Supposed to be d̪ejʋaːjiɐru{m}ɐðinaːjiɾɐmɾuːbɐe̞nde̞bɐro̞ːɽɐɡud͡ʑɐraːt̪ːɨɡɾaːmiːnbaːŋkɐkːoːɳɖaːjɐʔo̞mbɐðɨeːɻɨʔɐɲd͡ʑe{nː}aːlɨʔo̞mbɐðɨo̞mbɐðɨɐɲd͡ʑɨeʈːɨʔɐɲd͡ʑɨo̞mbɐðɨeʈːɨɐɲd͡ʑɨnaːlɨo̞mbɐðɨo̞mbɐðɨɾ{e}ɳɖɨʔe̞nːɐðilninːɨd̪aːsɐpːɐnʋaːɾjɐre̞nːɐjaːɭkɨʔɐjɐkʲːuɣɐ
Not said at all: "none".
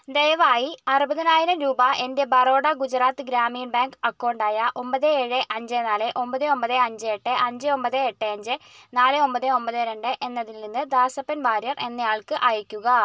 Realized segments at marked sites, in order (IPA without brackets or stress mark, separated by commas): b, n, e